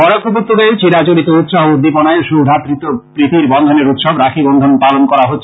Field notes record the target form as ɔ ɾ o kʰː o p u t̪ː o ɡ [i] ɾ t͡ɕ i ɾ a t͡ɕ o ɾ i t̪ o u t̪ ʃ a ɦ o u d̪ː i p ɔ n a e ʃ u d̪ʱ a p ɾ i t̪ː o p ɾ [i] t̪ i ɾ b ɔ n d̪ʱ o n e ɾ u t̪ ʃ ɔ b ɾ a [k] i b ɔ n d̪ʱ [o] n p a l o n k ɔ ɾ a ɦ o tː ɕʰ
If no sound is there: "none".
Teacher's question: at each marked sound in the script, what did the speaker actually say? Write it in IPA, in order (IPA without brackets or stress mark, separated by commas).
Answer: e, i, kʰ, o